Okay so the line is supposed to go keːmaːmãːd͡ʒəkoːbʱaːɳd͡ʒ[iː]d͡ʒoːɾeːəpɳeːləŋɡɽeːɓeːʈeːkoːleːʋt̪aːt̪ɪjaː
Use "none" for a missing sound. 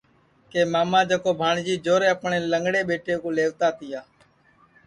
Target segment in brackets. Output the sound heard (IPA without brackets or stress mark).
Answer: iː